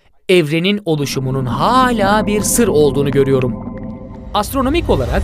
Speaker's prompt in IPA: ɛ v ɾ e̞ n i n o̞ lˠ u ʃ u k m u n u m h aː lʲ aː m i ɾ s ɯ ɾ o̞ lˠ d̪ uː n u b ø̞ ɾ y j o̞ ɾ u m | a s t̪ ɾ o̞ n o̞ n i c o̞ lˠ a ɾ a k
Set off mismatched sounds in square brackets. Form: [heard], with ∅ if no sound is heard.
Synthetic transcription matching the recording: ɛ v ɾ e̞ n i n o̞ lˠ u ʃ u [∅] m u n u [n] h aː lʲ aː [b] i ɾ s ɯ ɾ o̞ lˠ d̪ uː n u [ɟ] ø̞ ɾ y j o̞ ɾ u m | a s t̪ ɾ o̞ n o̞ [m] i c o̞ lˠ a ɾ a k